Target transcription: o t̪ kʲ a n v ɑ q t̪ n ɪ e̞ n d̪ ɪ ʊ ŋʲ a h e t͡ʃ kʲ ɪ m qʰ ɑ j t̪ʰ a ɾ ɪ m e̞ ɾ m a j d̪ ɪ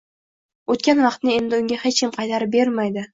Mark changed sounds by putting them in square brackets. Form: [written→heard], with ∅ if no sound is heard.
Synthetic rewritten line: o t̪ kʲ a n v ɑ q t̪ n ɪ e̞ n d̪ ɪ ʊ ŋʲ a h e t͡ʃ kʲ ɪ m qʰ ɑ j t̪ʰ a ɾ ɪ [m→b] e̞ ɾ m a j d̪ ɪ